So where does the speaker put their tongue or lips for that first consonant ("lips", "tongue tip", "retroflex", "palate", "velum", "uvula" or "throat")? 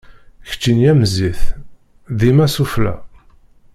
palate